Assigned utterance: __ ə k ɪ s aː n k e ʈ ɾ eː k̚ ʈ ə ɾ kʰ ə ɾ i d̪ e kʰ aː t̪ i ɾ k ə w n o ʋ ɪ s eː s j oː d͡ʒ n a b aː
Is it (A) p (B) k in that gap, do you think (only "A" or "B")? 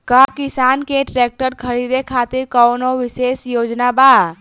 B